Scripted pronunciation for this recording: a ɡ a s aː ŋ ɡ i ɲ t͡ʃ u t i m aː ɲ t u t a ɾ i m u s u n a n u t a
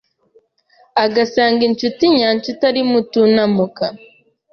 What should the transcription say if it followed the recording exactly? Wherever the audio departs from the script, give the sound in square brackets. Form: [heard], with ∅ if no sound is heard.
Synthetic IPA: a ɡ a s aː ŋ ɡ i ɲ t͡ʃ u t i [ɲ] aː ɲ [t͡ʃ] u t a ɾ i m u [t] u n a [m] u [k] a